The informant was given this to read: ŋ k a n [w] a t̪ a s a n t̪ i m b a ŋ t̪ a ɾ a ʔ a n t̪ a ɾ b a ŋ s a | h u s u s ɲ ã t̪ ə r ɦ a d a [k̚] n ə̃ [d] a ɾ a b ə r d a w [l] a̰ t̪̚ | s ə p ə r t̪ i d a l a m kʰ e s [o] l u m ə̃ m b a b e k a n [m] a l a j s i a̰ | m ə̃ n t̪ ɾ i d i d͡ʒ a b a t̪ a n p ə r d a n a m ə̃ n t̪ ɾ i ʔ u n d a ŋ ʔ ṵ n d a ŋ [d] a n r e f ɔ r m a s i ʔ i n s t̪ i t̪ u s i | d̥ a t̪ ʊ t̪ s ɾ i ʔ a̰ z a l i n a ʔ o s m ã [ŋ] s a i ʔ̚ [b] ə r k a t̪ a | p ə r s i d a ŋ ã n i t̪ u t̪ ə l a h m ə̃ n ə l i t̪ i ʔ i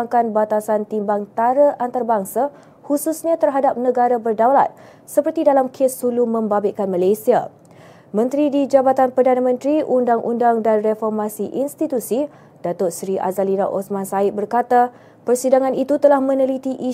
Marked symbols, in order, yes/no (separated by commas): no, no, no, yes, no, yes, yes, no, yes